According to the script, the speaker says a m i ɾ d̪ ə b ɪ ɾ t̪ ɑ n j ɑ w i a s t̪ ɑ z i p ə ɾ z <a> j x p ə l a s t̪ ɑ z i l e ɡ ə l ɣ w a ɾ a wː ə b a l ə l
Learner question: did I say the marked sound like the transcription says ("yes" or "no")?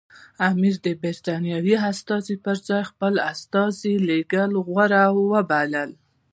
no